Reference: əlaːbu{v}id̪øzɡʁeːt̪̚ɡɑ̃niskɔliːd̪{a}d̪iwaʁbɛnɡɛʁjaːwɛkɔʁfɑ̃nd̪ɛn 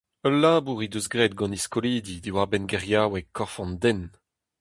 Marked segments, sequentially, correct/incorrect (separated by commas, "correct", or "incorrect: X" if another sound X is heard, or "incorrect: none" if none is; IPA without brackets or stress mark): incorrect: ʁ, incorrect: i